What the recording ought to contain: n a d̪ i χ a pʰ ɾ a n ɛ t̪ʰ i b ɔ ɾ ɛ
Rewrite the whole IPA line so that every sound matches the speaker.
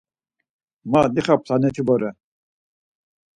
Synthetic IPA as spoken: m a d̪ i χ a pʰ l a n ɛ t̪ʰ i b ɔ ɾ ɛ